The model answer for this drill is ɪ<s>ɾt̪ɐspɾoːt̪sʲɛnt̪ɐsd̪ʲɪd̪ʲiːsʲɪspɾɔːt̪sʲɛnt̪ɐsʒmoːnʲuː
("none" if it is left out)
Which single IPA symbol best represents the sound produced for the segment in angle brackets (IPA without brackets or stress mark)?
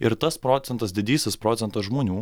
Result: none